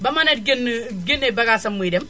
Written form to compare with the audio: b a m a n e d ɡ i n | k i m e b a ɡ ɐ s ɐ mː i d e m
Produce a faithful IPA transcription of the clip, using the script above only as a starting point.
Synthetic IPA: b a m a n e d ɡ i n | ɡ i n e b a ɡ a s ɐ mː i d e m

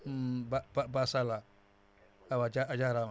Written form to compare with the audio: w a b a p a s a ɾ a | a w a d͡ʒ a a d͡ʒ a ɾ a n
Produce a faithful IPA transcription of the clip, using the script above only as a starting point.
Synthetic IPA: b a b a b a s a l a | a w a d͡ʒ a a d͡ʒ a ɾ a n

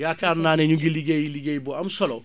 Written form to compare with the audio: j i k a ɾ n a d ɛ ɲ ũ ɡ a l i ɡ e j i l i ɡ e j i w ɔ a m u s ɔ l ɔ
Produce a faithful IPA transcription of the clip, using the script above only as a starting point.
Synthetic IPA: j a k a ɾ n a n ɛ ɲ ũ ɡ i l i ɡ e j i l i ɡ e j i b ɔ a m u s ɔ l ɔ

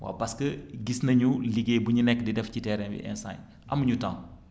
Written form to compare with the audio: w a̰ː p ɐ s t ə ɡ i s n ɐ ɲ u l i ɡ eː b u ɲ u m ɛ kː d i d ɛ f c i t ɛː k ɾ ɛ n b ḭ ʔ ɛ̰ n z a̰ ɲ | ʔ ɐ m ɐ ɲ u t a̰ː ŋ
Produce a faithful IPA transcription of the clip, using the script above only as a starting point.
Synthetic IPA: w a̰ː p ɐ s k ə ɡ i s n ɐ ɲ u l i ɡ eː b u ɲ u n ɛ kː d i d ɛ f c i t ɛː ɾ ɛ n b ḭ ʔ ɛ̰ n s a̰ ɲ | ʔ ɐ m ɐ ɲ u t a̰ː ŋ

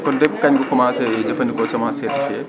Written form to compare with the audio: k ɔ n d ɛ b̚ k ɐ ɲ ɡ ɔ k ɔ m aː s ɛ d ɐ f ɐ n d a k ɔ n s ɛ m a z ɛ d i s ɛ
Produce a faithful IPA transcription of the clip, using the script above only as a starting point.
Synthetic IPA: k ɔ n d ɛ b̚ k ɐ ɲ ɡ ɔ k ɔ m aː s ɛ d͡ʒ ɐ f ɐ n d i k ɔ s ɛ m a s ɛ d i f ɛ

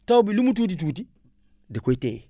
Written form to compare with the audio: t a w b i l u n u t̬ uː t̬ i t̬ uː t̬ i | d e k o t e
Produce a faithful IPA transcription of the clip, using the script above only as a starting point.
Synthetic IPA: t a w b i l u m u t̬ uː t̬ i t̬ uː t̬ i | d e k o t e

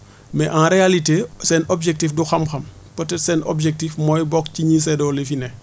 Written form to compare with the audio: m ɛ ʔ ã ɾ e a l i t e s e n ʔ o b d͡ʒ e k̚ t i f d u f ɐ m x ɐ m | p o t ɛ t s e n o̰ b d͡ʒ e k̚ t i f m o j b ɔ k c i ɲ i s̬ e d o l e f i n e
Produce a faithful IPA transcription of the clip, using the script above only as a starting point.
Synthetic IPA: m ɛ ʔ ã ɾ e a l i t e s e n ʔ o b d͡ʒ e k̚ t i f d u x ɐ m x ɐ m | p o t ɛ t s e n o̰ b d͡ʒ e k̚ t i f m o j b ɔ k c i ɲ i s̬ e d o l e f i n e

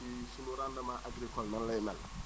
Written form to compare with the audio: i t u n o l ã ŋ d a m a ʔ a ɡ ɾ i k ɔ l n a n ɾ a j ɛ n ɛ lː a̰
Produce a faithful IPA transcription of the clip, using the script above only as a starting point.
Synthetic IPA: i s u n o ɾ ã n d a m a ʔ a ɡ ɾ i k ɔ l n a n l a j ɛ m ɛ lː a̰

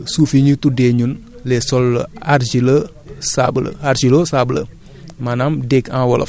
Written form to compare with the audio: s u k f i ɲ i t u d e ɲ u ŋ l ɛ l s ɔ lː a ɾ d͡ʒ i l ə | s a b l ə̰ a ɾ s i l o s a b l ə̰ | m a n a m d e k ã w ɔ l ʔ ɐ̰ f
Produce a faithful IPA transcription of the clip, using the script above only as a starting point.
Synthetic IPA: s u f i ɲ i t u d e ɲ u n l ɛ s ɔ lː a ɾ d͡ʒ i l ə | s a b l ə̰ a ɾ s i l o s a b l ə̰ | m a n a m d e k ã w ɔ l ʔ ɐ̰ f

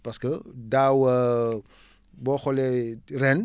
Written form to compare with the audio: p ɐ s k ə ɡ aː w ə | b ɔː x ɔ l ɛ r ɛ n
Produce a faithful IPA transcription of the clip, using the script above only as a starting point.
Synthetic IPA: p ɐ s k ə d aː w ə | b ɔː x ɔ l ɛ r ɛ n

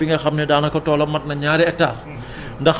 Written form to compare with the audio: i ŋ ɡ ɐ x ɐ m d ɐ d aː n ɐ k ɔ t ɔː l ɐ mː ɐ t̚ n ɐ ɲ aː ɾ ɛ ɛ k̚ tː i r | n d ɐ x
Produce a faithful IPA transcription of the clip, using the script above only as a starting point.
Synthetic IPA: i ŋ ɡ ɐ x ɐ m n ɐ d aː n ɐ k ɔ t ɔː l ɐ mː ɐ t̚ n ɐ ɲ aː ɾ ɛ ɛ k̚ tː a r | n d ɐ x

